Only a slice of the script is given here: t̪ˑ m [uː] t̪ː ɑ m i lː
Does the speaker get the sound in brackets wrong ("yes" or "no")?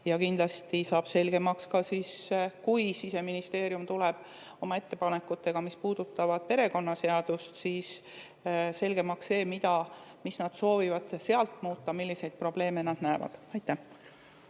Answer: no